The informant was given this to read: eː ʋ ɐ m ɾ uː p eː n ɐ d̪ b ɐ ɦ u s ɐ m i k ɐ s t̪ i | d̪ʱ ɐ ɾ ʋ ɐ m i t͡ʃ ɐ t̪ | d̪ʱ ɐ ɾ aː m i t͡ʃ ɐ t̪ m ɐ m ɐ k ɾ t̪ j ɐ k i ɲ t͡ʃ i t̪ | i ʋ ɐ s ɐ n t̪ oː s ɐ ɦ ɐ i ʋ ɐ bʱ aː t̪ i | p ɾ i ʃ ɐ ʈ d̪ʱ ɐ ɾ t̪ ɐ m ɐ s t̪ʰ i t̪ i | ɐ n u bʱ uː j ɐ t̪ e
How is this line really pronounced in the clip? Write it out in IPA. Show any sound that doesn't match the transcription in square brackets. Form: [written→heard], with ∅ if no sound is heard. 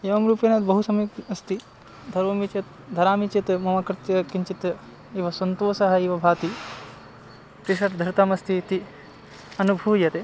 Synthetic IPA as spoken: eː ʋ ɐ m ɾ uː p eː n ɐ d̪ b ɐ ɦ u s ɐ m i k ɐ s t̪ i | d̪ʱ ɐ ɾ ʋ ɐ m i t͡ʃ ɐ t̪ | d̪ʱ ɐ ɾ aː m i t͡ʃ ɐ t̪ m ɐ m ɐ k ɾ t̪ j ɐ k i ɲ t͡ʃ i t̪ | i ʋ ɐ s ɐ n t̪ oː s ɐ ɦ ɐ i ʋ ɐ bʱ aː t̪ i | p ɾ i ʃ ɐ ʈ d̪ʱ ɐ ɾ t̪ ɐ m ɐ s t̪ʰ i t̪ i | ɐ n u bʱ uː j ɐ t̪ e

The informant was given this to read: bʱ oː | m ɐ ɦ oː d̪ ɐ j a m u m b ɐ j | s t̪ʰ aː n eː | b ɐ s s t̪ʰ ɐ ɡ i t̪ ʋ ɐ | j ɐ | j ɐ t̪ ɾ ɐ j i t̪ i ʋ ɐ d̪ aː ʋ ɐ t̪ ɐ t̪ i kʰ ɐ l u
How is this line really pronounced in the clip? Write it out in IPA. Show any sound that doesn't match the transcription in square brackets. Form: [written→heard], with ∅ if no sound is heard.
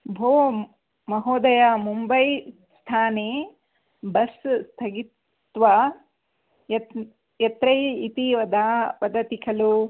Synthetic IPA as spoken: bʱ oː | m ɐ ɦ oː d̪ ɐ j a m u m b ɐ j | s t̪ʰ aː n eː | b ɐ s s t̪ʰ ɐ ɡ i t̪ ʋ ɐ | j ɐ | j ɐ t̪ ɾ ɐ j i t̪ i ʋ ɐ d̪ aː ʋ ɐ [t̪→d̪] ɐ t̪ i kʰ ɐ l u

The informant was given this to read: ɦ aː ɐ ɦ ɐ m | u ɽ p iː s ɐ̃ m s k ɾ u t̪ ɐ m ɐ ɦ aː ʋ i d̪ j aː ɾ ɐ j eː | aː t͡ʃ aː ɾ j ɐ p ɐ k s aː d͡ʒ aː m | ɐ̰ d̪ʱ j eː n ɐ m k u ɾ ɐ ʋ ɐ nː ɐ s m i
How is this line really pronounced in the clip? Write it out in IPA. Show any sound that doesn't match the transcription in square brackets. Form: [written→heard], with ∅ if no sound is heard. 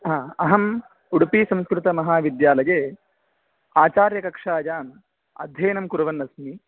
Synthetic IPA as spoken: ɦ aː ɐ ɦ ɐ m | u ɽ p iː s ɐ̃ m s k ɾ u t̪ ɐ m ɐ ɦ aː ʋ i d̪ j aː [ɾ→l] ɐ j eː | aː t͡ʃ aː ɾ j ɐ [p→k] ɐ k [s→ʂ] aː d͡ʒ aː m | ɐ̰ d̪ʱ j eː n ɐ m k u ɾ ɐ ʋ ɐ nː ɐ s m i

